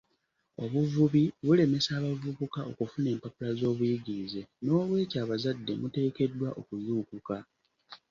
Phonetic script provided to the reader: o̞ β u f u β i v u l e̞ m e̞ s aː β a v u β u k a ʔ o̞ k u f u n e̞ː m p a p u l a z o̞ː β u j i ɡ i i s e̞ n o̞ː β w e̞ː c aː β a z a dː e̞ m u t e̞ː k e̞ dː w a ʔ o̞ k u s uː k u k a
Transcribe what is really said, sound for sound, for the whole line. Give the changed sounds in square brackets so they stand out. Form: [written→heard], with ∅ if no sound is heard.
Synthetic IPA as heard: o̞ β u [f→v] u β i [v→β] u l e̞ m e̞ s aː β a v u β u k a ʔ o̞ k u f u n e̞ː m p a p u l a z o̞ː β u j i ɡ i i [s→z] e̞ n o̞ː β w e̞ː c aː β a z a dː e̞ m u t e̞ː k e̞ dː w a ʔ o̞ k u [s→z] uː k u k a